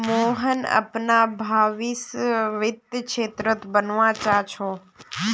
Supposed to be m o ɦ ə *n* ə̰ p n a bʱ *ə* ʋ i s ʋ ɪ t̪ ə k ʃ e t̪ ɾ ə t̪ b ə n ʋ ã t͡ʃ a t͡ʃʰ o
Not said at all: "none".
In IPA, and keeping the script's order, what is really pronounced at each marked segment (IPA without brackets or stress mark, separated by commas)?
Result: n, a